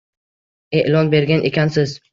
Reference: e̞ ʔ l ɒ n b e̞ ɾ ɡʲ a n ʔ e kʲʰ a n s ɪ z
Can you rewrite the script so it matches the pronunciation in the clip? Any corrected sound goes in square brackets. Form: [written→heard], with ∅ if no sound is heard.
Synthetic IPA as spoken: e̞ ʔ l ɒ n b e̞ ɾ ɡʲ a n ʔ e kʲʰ a n s ɪ z